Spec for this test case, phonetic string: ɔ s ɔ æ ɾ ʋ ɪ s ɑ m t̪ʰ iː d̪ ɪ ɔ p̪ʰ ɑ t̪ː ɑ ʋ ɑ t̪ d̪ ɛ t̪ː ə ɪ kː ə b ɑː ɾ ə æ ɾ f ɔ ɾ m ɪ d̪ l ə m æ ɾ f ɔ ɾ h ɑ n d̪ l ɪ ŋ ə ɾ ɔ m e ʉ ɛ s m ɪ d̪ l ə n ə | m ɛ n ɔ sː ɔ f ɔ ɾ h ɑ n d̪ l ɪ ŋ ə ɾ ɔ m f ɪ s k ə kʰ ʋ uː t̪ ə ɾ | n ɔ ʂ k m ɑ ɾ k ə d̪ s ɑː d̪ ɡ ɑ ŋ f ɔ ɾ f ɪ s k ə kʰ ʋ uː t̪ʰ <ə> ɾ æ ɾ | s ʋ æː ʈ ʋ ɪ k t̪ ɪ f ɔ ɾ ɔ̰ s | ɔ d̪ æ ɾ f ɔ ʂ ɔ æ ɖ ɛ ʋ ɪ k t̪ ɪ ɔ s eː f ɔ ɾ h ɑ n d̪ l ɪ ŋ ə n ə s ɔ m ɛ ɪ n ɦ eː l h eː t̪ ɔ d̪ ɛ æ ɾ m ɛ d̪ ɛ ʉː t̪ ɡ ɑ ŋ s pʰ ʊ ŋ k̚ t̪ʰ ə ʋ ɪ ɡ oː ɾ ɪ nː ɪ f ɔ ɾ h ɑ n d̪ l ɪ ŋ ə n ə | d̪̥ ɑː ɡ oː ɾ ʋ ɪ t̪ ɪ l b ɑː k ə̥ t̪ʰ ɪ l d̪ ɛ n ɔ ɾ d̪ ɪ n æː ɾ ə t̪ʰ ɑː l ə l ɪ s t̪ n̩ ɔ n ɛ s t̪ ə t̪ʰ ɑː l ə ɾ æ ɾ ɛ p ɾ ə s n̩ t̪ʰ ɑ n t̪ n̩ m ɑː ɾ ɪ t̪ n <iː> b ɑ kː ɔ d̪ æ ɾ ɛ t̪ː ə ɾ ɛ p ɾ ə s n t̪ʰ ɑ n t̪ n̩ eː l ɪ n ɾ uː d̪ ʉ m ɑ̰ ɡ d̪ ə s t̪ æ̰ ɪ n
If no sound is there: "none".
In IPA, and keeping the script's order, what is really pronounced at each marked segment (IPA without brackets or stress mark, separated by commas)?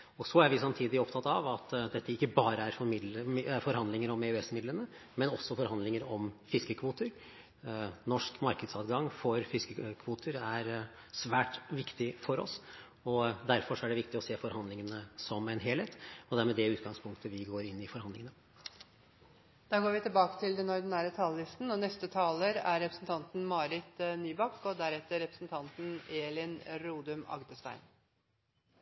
ə, yː